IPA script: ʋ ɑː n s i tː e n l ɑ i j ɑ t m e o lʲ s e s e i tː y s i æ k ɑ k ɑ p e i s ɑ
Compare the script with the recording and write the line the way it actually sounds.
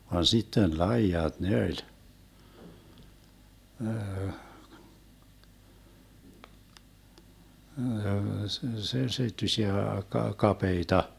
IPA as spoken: ʋ ɑ n s i tː e n l ɑ i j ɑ t n e o lʲ s e s e i tː y s i æ k ɑ k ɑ p e i t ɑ

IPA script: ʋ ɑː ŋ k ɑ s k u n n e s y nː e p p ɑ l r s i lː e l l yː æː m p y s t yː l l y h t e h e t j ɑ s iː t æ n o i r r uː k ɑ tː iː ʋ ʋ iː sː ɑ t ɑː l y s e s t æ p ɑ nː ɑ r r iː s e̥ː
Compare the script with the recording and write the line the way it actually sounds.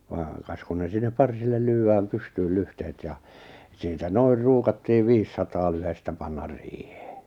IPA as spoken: ʋ ɑː ŋ k ɑ s k u n n e s i nː e p p ɑ r s i lː e l l yː æː m p y s t yː l l y h t e h e t j ɑ s iː t æ n o i r r uː k ɑ tː iː ʋ ʋ iː sː ɑ t ɑː l y h e s t æ p ɑ nː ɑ r r iː h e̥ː

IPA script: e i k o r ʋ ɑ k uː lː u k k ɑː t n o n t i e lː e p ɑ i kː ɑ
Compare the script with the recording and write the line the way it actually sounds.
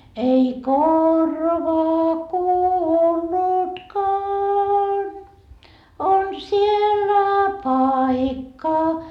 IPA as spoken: e i k o r ʋ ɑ k uː lː u t k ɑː n o n s i e lː æ p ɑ i kː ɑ

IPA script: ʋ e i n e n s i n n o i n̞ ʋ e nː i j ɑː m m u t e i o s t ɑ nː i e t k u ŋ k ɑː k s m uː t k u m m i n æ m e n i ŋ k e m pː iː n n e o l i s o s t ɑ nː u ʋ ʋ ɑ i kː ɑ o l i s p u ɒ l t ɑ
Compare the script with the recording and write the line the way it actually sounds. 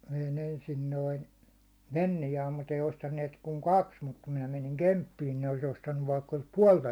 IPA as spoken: ʋ e i n e n s i n n o i n̞ ʋ e nː i j ɑː m m u t e i o s t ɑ nː i e t k u ŋ k ɑ k s m u t k u m m i n æ m e n i ŋ k e m pː iː n n e o l i s o s t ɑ nː u ʋ ʋ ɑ i kː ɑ o l i s p u ɒ l t ɑ

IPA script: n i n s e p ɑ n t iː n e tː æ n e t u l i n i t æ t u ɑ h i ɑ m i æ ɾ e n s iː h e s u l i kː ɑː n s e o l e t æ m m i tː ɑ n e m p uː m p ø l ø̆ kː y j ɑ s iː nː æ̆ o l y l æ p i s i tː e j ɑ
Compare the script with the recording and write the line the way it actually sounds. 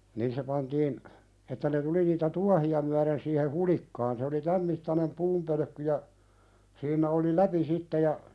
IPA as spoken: n i n s e p ɑ n t iː n e tː æ n e t u l i n iː t æ t u ɑ h i ɑ m y æ ɾ e n s iː h e h u l i kː ɑː n s e o l i t æ m m i tː ɑ n e m p uː m p ø l ø̆ kː y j ɑ s iː nː æ̆ o l i l æ p i s i tː e j ɑ

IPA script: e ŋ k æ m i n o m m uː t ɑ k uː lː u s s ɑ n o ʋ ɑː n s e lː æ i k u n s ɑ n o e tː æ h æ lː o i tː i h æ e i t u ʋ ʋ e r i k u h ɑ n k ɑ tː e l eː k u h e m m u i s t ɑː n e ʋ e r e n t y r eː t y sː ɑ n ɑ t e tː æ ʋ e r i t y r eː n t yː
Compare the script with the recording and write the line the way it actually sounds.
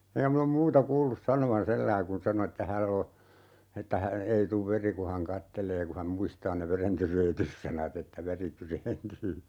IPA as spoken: e ŋ k æ m i n o m m uː t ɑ k uː lː u s s ɑ n o ʋ ɑ n s e lː æ i k u n s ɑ n o e tː æ h æ lː o e tː æ h æ e i t u ʋ ʋ e r i k u h ɑ n k ɑ tː e l eː k u h æ m m u i s t ɑː n e ʋ e r e n t y r eː t y sː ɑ n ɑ t e tː æ ʋ e r i t y r eː n t yː

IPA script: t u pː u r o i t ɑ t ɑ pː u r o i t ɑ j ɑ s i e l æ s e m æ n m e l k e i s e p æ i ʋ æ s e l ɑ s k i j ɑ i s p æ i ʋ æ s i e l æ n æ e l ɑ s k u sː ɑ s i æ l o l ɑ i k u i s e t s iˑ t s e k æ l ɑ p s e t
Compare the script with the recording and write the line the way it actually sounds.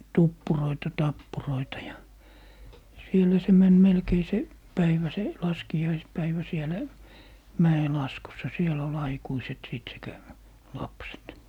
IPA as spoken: t u pː u r o i t ɑ t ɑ pː u r o i t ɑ j ɑ s i e l æ s e m æ n m e l k e i s e p æ i ʋ æ s e l ɑ s k i j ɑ i s p æ i ʋ æ s i e l æ m æ e l ɑ s k u sː ɑ s i e l o l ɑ i k u i s e t s iˑ t s e k æ l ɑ p s e t

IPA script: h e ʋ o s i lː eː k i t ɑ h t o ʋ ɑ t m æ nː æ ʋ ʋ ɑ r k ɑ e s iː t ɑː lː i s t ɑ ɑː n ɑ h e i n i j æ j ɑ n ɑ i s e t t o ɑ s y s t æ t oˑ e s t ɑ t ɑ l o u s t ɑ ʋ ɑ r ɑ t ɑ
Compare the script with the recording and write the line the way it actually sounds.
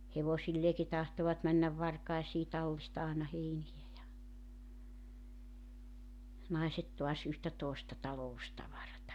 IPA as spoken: h e ʋ o s i lː eː k i t ɑ h t o ʋ ɑ t m æ nː æ ʋ ʋ ɑ r k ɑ e s iː t ɑ lː i s t ɑ ɑː n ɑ h e i n i j æ j ɑ n ɑ i s e t t o ɑ s y h t æ t oˑ e s t ɑ t ɑ l o u s t ɑ ʋ ɑ r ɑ t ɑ

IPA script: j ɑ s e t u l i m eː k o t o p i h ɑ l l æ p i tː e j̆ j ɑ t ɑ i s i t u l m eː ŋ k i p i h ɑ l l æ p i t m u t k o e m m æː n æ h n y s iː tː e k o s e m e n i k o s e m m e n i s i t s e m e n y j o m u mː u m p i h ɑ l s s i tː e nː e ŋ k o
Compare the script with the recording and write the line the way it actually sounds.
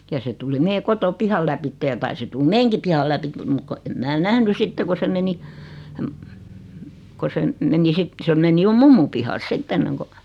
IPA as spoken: j ɑ s e t u l i m eː k o t o p i h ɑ l l æ p i tː e j̆ j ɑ t ɑ i s i t u l m eː ŋ k i p i h ɑ l l æ p i t m u t k o e m m æː n æ h n y s i tː e k o s e m e n i k o s e m m e n i s i t s e m e n i j o m u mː u m p i h ɑ l s s i tː e nː e ŋ k o

